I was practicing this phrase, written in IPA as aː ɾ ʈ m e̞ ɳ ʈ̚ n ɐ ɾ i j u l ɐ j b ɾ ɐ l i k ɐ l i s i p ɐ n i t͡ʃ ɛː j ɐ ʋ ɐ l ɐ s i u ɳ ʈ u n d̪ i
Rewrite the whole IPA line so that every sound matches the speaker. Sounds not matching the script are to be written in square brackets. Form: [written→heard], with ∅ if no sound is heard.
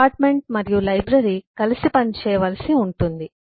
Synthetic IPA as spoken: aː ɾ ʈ m e̞ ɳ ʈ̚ [n→m] ɐ ɾ i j u l ɐ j b ɾ ɐ [l→ɾ] i k ɐ l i s i p ɐ n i t͡ʃ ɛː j ɐ ʋ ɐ l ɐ s i u ɳ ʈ u n d̪ i